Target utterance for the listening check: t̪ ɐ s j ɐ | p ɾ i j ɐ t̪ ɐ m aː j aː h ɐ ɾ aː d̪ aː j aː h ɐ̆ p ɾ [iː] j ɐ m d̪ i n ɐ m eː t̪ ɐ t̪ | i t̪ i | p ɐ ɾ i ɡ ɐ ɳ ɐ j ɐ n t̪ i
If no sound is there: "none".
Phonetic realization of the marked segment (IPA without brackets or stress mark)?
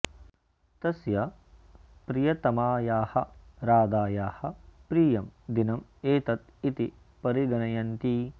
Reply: iː